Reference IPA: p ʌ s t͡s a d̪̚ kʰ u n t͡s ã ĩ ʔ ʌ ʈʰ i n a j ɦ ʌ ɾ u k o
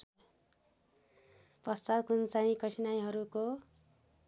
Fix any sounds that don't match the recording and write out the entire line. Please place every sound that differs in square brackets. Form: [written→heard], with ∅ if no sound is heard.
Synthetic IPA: p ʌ s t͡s a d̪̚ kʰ u n t͡s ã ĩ [ʔ→k] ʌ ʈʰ i n a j ɦ ʌ ɾ u k o